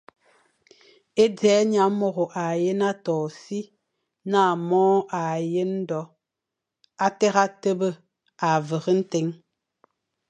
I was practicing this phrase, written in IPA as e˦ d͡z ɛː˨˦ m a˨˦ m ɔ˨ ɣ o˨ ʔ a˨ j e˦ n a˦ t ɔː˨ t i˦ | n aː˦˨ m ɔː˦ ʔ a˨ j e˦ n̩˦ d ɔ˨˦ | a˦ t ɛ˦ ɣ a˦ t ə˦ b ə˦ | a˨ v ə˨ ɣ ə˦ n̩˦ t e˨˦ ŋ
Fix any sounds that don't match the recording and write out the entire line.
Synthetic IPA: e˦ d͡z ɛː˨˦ ɲ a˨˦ m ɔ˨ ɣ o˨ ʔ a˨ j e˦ n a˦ t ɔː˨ s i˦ | n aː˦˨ m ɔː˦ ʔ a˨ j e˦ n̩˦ d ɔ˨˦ | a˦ t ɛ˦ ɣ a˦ t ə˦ b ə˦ | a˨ v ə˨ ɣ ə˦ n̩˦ t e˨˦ ŋ

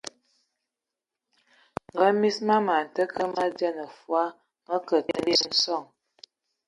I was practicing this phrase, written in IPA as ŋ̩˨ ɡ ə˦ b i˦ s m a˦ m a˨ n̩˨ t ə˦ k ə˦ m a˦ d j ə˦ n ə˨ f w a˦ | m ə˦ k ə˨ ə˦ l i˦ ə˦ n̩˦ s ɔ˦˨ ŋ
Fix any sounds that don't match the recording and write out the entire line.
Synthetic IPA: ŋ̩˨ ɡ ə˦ m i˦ s m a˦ m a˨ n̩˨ t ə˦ k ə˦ m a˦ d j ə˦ n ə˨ f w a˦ | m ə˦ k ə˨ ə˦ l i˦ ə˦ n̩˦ s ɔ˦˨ ŋ

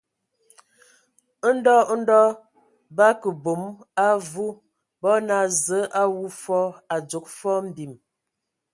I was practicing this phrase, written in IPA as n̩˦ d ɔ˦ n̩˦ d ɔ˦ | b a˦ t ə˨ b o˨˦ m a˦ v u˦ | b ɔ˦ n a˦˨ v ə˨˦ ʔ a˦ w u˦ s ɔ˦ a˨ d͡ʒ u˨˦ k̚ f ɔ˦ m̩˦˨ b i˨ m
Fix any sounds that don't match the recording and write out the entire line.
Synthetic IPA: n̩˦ d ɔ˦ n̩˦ d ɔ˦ | b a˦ k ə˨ b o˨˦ m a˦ v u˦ | b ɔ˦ n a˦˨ z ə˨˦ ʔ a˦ w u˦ f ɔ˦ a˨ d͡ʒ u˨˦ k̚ f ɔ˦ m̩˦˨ b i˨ m

